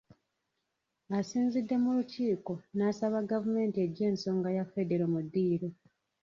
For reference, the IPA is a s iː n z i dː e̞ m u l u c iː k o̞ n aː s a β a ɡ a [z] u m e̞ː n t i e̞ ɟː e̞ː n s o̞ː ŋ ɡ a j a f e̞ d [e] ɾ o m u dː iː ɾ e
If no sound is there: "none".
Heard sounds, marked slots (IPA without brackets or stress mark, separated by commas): v, e